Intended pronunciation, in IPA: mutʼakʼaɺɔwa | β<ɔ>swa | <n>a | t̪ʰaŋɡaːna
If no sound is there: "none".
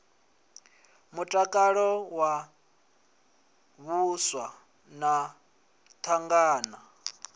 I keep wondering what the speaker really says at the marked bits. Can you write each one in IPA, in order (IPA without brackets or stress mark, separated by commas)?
u, n